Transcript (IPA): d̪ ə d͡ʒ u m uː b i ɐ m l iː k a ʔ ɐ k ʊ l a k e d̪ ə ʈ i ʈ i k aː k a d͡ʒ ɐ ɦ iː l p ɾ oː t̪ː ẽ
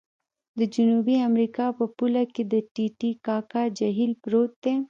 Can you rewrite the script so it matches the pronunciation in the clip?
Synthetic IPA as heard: d̪ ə d͡ʒ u n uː b i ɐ m ɾ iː k a p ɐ p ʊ l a k e d̪ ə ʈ i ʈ i k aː k a d͡ʒ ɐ ɦ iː l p ɾ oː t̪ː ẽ